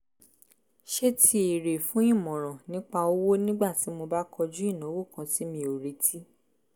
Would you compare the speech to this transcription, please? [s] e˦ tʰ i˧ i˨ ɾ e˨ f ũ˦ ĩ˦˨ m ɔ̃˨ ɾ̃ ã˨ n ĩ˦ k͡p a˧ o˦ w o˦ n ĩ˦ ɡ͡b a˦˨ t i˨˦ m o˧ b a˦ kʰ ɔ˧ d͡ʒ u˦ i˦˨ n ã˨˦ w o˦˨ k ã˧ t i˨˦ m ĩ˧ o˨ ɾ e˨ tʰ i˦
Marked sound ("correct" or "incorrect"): incorrect